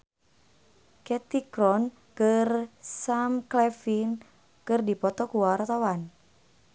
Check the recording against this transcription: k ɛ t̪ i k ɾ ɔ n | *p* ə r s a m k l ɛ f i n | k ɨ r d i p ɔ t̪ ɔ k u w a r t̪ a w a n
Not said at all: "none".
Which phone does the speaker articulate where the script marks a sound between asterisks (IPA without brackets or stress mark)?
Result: k